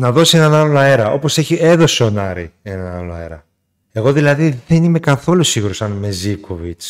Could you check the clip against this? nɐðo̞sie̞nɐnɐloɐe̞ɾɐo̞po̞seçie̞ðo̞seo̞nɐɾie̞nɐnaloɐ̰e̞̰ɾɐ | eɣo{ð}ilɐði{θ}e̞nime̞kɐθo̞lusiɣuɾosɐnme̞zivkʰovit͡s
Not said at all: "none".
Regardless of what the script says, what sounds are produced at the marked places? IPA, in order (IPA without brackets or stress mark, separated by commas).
ð, ð